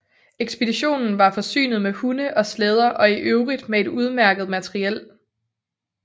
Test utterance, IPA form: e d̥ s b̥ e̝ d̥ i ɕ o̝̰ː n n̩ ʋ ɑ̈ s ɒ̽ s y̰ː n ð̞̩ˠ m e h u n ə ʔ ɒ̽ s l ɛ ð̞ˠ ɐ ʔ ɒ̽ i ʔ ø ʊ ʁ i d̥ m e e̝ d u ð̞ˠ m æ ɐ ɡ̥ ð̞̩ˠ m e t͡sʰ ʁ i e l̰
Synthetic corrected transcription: e ɡ̥ s b̥ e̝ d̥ i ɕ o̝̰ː n n̩ ʋ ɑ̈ f ɒ̽ s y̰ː n ð̞̩ˠ m e h u n ə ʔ ɒ̽ s l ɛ ð̞ˠ ɐ ʔ ɒ̽ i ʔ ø ʊ ʁ i d̥ m e e̝ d u ð̞ˠ m æ ɐ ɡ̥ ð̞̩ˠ m æ t͡sʰ ʁ i e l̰

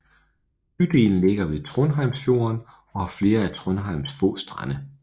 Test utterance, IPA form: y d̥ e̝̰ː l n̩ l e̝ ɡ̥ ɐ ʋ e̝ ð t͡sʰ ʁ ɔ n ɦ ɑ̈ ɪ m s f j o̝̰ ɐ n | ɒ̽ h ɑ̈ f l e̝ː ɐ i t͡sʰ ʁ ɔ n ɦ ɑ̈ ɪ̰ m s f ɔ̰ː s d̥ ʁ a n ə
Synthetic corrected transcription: y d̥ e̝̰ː l n̩ l e̝ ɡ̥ ɐ ʋ e̝ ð t͡sʰ ʁ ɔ n ɦ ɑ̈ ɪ m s f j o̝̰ ɐ n | ɒ̽ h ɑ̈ f l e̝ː ɐ æ t͡sʰ ʁ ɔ n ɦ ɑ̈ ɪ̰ m s f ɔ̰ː s d̥ ʁ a n ə

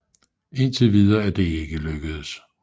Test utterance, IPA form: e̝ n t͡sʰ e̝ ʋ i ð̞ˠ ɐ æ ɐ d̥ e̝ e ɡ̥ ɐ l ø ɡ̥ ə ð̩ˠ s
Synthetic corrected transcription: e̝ n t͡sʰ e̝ ʋ i ð̞ˠ ɐ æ ɐ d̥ e̝ e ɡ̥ ə l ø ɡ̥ ə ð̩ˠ s

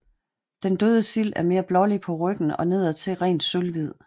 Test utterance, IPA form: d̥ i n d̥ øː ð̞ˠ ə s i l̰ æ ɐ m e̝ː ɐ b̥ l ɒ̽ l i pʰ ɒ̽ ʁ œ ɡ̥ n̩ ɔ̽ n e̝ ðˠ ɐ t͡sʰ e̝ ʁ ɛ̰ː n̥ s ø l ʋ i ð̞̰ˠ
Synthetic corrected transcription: d̥ e n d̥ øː ð̞ˠ ə s i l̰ æ ɐ m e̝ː ɐ b̥ l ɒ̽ l i pʰ ɒ̽ ʁ œ ɡ̥ n̩ ɒ̽ n e̝ ðˠ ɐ t͡sʰ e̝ ʁ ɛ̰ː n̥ s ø l ʋ i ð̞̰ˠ

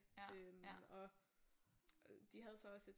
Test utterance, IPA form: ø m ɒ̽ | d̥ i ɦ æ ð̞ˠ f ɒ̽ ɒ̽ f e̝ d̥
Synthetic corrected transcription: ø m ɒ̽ | d̥ i ɦ æ ð̞ˠ s ɒ̽ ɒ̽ s e̝ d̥

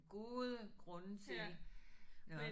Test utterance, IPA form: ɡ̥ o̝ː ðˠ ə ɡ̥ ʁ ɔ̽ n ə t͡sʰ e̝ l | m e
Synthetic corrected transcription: ɡ̥ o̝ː ðˠ ə ɡ̥ ʁ ɔ̽ n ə t͡sʰ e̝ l | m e

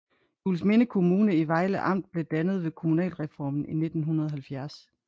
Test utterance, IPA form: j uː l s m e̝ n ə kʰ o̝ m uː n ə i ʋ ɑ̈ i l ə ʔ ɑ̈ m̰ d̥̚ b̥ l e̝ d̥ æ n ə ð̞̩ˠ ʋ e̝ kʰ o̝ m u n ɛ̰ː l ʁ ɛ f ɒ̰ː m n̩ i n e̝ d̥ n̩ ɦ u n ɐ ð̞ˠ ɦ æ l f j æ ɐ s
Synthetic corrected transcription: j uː l s m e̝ n ə kʰ o̝ m uː n ə i ʋ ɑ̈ ɪ l ə ʔ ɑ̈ m̰ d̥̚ b̥ l e̝ d̥ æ n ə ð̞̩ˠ ʋ e̝ kʰ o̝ m u n ɛ̰ː l ʁ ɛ f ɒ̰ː m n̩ i n e̝ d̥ n̩ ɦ u n ɐ ð̞ˠ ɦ æ l f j æ ɐ s

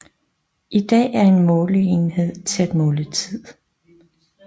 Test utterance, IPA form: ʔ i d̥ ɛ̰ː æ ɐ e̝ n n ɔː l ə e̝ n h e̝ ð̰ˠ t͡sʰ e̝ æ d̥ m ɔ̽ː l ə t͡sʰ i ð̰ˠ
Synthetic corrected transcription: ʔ i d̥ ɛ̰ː æ ɐ e̝ n m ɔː l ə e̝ n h e̝ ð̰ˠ t͡sʰ e̝ æ d̥ m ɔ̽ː l ə t͡sʰ i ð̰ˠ

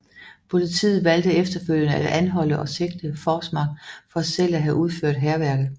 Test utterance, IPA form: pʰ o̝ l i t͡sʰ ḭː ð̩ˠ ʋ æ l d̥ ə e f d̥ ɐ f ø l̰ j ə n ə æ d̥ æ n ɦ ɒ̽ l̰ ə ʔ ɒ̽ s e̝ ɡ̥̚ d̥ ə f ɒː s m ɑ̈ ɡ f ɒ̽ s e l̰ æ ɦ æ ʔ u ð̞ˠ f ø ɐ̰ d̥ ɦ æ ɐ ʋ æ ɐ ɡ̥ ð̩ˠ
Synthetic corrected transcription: pʰ o̝ l i t͡sʰ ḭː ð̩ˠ ʋ æ l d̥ ə e f d̥ ɐ f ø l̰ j ə n ə æ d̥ æ n ɦ ɒ̽ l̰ ə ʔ ɒ̽ s e̝ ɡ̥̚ d̥ ə f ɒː s m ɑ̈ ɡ f ɒ̽ s e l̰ æ ɦ æ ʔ u ð̞ˠ f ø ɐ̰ d̥ ɦ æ ɐ ʋ æ ɐ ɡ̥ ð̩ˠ

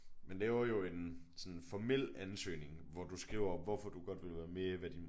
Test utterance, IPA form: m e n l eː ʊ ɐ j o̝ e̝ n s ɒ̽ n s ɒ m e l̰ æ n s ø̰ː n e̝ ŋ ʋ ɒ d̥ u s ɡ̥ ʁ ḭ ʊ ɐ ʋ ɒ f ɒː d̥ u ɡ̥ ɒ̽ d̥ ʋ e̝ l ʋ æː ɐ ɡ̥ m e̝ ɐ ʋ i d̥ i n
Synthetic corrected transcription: m e n l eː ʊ ɐ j o̝ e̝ n s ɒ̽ n f ɒ m e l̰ æ n s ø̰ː n e̝ ŋ ʋ ɒ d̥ u s ɡ̥ ʁ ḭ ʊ ɐ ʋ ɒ f ɒ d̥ u ɡ̥ ɒ̽ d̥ ʋ e̝ l ʋ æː ɐ m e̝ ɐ ʋ æ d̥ i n

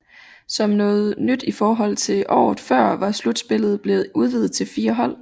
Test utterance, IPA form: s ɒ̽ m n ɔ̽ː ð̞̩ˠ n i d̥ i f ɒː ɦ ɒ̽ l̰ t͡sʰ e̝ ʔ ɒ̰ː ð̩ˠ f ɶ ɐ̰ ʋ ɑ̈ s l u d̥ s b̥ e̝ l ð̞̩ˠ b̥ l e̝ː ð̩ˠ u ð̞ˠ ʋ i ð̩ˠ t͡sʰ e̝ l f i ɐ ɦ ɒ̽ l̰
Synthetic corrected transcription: s ɒ̽ m n ɔ̽ː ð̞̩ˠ n y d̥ i f ɒː ɦ ɒ̽ l̰ t͡sʰ e̝ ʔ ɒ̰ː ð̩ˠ f ɶ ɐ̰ ʋ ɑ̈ s l u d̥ s b̥ e̝ l ð̞̩ˠ b̥ l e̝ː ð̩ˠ u ð̞ˠ ʋ i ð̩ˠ t͡sʰ e̝ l f iː ɐ ɦ ɒ̽ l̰

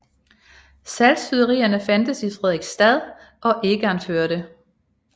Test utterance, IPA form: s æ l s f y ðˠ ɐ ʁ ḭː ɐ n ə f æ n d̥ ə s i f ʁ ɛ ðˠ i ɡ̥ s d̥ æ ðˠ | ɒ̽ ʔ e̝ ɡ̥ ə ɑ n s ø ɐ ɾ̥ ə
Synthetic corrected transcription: s æ l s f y ðˠ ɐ ʁ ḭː ɐ n ə f æ n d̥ ə s i f ʁ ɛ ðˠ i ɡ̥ s d̥ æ ðˠ | ɒ̽ ʔ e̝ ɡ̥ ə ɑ n f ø ɐ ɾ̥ ə

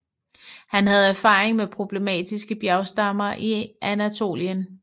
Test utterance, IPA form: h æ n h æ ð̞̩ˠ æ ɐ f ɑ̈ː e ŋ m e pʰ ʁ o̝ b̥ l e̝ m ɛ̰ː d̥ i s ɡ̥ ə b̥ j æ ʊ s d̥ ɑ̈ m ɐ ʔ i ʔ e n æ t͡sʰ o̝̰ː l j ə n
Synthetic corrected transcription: h æ n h æ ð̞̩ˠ æ ɐ f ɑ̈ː e ŋ m e pʰ ʁ o̝ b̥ l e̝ m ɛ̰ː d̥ i s ɡ̥ ə b̥ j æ ʊ s d̥ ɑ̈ m ɐ ʔ i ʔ æ n æ t͡sʰ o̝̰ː l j ə n

